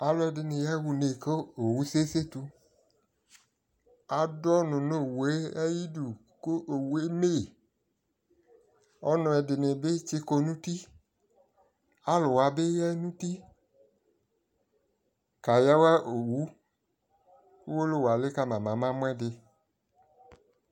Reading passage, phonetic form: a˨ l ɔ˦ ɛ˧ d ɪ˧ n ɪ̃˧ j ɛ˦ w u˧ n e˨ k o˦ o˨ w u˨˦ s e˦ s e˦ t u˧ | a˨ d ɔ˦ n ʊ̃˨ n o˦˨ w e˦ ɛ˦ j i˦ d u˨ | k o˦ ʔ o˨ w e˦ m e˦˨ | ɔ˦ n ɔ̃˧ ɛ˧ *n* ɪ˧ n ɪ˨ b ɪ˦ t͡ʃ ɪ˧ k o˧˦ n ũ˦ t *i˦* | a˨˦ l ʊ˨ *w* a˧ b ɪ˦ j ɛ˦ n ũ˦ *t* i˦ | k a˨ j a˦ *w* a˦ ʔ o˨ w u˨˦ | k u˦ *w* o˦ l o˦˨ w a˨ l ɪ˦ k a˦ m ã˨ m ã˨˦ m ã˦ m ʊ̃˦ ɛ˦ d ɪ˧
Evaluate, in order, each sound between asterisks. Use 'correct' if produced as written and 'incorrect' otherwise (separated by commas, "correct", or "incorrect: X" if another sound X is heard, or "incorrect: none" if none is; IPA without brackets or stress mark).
incorrect: d, correct, correct, correct, correct, correct